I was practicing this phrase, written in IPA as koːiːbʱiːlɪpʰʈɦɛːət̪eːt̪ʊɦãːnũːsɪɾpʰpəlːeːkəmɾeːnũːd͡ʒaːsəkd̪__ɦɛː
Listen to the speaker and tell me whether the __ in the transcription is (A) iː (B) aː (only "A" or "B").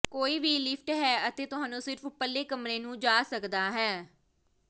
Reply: B